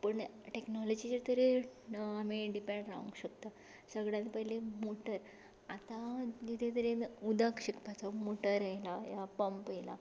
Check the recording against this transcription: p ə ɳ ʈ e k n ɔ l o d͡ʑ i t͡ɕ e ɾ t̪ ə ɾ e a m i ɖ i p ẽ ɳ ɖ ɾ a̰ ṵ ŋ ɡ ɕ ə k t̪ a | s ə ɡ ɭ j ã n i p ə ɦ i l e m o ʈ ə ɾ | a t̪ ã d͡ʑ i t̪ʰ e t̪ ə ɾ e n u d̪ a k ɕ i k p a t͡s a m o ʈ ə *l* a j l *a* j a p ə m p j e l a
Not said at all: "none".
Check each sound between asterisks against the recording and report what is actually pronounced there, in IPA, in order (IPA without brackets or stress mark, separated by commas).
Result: ɾ, a